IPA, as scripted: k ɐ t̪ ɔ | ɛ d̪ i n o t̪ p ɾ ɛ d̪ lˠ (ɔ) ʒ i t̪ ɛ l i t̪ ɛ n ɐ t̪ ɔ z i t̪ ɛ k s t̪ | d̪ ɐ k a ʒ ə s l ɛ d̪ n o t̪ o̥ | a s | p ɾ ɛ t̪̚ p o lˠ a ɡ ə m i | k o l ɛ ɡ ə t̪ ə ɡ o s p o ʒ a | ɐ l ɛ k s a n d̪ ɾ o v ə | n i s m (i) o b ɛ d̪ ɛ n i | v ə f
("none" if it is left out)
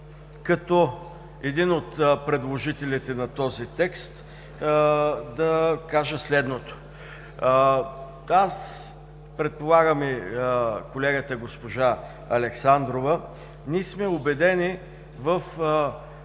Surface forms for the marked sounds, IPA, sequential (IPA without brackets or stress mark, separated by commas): o, ɛ